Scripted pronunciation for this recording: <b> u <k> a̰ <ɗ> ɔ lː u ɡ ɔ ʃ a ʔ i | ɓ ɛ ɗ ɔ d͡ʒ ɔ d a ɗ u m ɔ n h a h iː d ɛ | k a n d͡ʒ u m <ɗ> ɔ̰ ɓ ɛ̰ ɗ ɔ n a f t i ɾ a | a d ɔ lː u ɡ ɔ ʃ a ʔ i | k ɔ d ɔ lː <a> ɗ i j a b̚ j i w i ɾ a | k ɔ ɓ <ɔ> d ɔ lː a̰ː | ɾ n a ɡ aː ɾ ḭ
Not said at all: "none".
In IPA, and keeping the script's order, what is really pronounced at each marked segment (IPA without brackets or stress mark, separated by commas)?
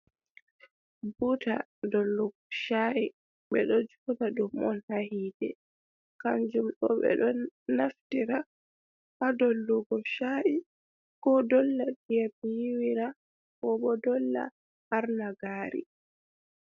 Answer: b, t, d, ɗ, a, ɔ